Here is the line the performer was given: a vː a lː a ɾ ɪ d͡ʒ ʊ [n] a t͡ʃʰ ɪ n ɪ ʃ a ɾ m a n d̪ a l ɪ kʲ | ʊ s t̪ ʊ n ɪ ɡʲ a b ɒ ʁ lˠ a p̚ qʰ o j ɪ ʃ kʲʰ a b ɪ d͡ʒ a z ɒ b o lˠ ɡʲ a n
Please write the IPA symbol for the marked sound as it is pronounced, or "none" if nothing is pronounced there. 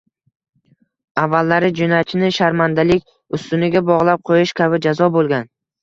n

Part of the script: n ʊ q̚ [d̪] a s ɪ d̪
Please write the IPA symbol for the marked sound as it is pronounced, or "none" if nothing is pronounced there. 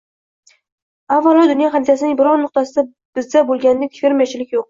t̪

